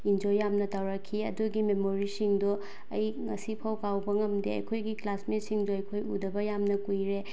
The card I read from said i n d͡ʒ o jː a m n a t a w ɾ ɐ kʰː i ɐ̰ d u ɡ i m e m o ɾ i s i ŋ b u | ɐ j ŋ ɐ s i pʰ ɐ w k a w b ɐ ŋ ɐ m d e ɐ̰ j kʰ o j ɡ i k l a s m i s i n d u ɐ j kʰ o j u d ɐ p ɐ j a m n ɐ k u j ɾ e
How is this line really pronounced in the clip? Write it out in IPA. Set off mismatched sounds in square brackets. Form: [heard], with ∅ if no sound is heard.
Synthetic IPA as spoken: i n d͡ʒ o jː a m n [ɐ] t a w ɾ ɐ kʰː i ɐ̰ d u ɡ i m e m o ɾ i s i ŋ [d] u | ɐ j ŋ ɐ s i pʰ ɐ w k a w b ɐ ŋ ɐ m d e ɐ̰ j kʰ o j ɡ i k l a s m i s i [ŋ] d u ɐ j kʰ o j u d ɐ [b] ɐ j a m n ɐ k u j ɾ e

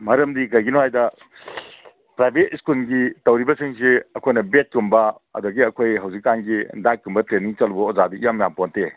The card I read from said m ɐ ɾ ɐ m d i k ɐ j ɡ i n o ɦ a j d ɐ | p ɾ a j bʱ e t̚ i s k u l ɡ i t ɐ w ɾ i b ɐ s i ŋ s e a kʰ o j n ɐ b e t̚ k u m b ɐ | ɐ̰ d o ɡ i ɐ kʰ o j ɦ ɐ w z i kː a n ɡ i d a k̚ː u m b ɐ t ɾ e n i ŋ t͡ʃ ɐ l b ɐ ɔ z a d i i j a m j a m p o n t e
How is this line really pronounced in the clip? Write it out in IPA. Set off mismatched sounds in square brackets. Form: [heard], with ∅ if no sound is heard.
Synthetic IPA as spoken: m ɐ ɾ ɐ m d i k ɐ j ɡ i n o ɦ a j d ɐ | p ɾ a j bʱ e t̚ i s k u l ɡ i t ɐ w ɾ i b ɐ s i ŋ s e [ɐ] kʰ o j n ɐ b e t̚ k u m b ɐ | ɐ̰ d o ɡ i ɐ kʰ o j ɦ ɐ w z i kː a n ɡ i d a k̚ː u m b ɐ t ɾ e n i ŋ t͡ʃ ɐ l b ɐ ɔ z a d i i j a m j a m p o n t e

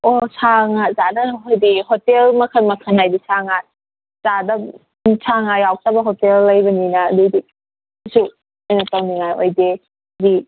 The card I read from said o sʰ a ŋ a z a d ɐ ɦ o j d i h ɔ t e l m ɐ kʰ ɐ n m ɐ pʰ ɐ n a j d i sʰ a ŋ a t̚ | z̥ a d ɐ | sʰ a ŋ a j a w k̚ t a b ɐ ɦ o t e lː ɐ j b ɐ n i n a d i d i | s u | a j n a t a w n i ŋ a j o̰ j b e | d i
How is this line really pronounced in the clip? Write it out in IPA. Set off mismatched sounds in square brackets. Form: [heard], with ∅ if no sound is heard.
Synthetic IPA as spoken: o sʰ a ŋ a z a d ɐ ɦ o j d i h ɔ t e l m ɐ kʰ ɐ n m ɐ [kʰ] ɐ n a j d i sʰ a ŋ a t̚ | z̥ a d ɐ | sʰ a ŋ a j a w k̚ t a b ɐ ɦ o t e lː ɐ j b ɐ n i n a d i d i | s u | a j n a t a w n i ŋ a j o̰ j [d] e | d i

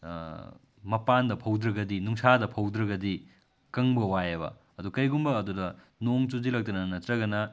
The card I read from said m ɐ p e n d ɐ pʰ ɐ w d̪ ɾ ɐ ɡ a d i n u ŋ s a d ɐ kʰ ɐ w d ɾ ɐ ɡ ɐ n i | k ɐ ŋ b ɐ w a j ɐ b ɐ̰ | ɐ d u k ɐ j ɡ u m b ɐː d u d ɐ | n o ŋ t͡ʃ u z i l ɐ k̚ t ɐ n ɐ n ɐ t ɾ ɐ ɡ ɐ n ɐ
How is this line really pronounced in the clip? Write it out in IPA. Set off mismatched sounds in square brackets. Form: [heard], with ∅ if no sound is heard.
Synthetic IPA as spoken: m ɐ p [a] n d ɐ pʰ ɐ w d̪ ɾ ɐ ɡ [ɐ] d i n u ŋ s a d ɐ [pʰ] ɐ w d ɾ ɐ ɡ ɐ [d] i | k ɐ ŋ b ɐ w a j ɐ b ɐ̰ | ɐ d u k ɐ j ɡ u m b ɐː d u d ɐ | n o ŋ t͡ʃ u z i l ɐ k̚ t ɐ n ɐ n ɐ t ɾ ɐ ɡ ɐ n ɐ

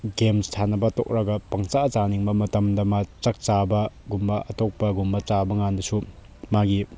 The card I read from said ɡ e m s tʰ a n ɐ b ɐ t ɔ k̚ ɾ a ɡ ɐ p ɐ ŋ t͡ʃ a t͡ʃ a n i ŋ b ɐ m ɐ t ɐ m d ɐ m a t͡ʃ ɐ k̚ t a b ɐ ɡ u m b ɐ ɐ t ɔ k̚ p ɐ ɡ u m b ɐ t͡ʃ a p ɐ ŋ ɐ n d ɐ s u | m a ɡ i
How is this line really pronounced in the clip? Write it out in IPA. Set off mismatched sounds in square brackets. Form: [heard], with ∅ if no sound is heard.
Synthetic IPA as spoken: ɡ e m s tʰ a n ɐ b ɐ t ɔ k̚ ɾ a ɡ ɐ p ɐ ŋ t͡ʃ a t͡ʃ a n i ŋ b ɐ m ɐ t ɐ m d ɐ m a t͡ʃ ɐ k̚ [t͡ʃ] a b ɐ ɡ u m b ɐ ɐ t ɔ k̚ p ɐ ɡ u m b ɐ t͡ʃ a [b] ɐ ŋ [a] n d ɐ s u | m a ɡ i

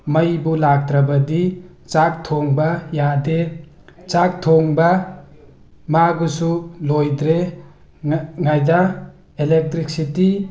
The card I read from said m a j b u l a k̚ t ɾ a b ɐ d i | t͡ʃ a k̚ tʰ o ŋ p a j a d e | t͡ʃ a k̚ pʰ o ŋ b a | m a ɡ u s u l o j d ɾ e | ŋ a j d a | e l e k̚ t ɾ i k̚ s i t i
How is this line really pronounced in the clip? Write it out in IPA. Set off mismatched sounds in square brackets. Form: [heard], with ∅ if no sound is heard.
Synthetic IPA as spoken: m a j b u l a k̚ t ɾ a b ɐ d i | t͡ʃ a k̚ tʰ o ŋ [b] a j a d e | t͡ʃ a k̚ [tʰ] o ŋ b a | m a ɡ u s u l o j d ɾ e | ŋ a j d a | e l e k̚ t ɾ i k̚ s i t i

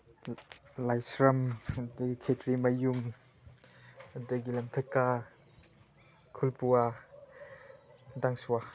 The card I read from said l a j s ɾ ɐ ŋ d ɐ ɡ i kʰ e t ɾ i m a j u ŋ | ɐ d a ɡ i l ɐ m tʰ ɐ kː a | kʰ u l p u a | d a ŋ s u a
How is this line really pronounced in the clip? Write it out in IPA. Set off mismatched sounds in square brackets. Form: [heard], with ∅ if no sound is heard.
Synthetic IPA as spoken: l a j s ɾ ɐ [m] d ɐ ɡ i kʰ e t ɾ i m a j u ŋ | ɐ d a ɡ i l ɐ m tʰ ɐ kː a | kʰ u l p u a | d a ŋ s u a

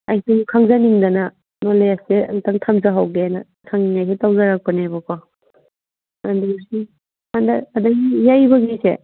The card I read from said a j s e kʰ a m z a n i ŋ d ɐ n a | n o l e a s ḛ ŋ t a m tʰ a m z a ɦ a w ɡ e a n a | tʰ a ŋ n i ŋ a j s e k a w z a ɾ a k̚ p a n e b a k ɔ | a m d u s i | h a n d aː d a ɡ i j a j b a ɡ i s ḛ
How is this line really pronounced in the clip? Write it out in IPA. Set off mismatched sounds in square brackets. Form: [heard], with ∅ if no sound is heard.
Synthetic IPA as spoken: a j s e kʰ a [ŋ] z a n i ŋ d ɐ n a | n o l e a s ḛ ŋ t a [ŋ] tʰ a m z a ɦ a w ɡ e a n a | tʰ a ŋ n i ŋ a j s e [t] a w z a ɾ a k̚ p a n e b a k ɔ | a [n] d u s i | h a n d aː d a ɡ i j a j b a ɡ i s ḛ

